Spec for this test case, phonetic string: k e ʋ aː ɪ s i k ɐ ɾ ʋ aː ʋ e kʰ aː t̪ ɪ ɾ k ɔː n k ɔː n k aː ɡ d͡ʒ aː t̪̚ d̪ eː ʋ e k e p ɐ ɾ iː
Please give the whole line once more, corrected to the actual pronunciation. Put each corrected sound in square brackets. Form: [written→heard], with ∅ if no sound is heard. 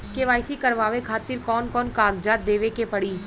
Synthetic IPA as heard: k e ʋ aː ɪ s i k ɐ ɾ ʋ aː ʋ e kʰ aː t̪ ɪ ɾ k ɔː n k ɔː n k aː ɡ d͡ʒ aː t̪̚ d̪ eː ʋ e k e p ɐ [ɾ→ɽ] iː